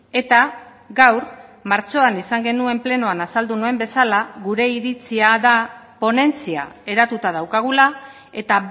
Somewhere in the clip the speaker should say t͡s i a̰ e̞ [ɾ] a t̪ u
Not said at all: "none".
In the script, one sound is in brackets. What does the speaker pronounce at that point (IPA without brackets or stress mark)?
ɾ